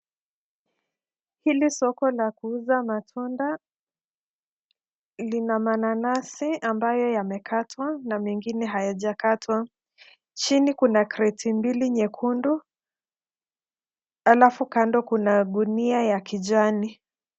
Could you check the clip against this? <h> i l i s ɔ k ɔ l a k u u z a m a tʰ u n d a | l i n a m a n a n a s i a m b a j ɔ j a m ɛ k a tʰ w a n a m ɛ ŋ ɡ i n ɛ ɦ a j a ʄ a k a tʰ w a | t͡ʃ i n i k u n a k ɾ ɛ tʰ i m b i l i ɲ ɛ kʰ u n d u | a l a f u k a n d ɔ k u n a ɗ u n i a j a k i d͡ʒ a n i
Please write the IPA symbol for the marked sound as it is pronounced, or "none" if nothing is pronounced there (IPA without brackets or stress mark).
h